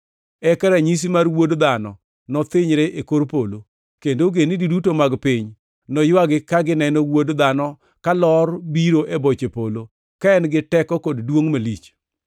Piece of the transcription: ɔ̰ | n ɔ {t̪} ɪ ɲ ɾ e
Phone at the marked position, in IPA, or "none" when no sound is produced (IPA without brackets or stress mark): t̪